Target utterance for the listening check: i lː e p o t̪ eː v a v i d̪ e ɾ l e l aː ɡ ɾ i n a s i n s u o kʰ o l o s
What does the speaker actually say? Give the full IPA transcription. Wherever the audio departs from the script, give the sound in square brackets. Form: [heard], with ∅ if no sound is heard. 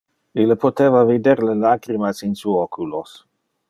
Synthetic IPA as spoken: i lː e p o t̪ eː v a v i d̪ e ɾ l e l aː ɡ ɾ i [m] a s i n s u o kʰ [u] l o s